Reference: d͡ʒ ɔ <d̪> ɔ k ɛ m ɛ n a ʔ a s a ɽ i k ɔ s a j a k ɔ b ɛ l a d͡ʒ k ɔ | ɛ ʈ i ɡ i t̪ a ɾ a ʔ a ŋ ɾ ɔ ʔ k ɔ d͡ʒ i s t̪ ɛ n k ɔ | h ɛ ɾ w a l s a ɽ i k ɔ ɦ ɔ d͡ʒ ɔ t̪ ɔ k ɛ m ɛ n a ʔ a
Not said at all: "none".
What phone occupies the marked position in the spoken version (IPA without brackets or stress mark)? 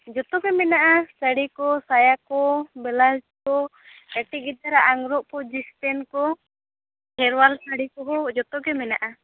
t̪